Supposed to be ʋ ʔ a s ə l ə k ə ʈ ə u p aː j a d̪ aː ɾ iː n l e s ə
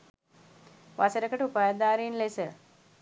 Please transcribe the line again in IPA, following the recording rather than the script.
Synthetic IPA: ʋ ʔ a s ə ɾ ə k ə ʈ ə u p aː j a d̪ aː ɾ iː n l e s ə

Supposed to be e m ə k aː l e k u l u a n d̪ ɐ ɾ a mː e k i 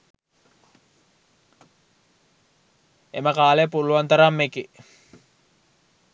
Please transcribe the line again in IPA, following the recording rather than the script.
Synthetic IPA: e m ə k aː l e p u l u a n t̪ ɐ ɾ a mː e k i

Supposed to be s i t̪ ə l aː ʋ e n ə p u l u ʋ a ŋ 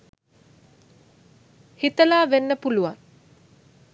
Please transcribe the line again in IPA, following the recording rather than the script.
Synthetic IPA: h i t̪ ə l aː ʋ e nː ə p u l u ʋ a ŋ

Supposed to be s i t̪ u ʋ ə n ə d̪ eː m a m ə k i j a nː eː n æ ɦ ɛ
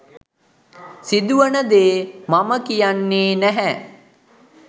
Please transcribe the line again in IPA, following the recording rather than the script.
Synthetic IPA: s i d̪ u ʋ ə n ə d̪ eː m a m ə k i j a nː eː n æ ɦ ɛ

